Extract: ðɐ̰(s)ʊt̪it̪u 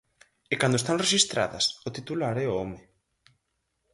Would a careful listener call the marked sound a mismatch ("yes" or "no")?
no